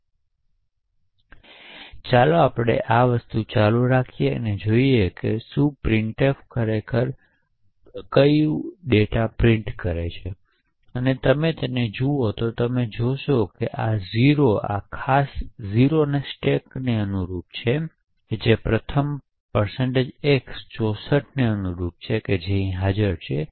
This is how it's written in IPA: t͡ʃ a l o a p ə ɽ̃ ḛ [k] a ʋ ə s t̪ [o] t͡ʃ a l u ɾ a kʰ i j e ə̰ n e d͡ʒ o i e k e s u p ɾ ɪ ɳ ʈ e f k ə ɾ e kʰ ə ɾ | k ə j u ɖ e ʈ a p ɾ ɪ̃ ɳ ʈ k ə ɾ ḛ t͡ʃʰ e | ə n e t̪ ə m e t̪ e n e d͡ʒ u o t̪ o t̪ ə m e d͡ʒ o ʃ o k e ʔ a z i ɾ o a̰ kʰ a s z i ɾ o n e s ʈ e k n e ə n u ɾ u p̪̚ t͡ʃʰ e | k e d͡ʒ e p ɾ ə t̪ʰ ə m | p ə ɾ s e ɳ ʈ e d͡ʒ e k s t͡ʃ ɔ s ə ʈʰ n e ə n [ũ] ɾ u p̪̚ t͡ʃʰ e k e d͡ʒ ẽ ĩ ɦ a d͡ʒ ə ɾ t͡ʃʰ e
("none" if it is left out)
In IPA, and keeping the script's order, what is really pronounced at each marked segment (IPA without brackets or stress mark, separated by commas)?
ʔ, u, u